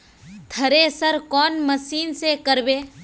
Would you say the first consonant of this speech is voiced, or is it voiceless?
voiceless